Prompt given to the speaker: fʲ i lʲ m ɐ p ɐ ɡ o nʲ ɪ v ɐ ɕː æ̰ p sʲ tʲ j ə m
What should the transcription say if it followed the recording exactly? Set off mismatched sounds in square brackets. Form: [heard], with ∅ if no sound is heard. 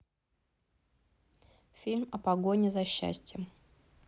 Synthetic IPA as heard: fʲ i lʲ m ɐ p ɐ ɡ o nʲ ɪ [z] ɐ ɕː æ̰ [∅] sʲ tʲ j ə m